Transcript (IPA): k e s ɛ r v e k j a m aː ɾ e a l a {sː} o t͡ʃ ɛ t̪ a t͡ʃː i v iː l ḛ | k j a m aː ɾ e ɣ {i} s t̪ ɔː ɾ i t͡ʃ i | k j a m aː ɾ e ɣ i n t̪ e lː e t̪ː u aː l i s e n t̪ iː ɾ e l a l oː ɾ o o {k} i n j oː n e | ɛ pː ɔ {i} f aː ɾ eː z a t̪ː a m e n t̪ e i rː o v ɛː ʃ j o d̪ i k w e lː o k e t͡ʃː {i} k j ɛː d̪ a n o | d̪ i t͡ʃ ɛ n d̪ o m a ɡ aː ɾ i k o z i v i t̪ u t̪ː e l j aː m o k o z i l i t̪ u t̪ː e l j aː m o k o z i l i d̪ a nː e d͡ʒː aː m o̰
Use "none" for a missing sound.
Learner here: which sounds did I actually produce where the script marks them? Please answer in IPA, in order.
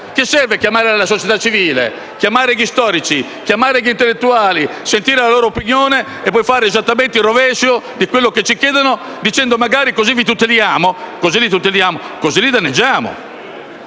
s, i, p, j, i

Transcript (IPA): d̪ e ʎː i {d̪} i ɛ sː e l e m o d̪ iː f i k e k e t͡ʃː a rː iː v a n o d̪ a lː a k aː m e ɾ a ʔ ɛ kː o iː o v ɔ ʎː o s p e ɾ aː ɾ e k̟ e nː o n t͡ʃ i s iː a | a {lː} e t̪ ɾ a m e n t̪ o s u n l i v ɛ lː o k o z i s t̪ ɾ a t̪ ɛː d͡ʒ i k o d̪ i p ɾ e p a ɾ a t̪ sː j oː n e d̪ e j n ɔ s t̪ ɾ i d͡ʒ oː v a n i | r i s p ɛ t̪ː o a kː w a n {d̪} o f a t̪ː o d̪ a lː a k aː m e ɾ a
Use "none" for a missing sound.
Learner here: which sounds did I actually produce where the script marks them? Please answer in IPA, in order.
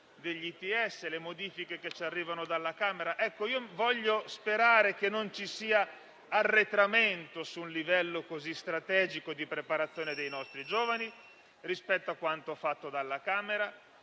t̪, rː, t̪

